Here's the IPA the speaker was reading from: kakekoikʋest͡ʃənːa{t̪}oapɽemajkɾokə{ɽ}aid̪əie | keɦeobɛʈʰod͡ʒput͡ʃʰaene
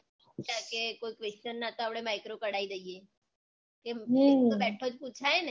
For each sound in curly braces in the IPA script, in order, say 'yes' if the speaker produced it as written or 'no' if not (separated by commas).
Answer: yes, yes